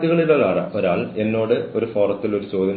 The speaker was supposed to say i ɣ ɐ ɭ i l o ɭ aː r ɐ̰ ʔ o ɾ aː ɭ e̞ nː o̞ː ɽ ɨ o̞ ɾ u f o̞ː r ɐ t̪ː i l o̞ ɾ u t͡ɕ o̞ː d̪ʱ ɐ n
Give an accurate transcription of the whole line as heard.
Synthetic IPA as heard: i ɣ ɐ ɭ i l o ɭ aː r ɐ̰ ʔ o ɾ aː ɭ e̞ nː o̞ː ɽ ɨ o̞ ɾ u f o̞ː r ɐ t̪ː i l o̞ ɾ u t͡ɕ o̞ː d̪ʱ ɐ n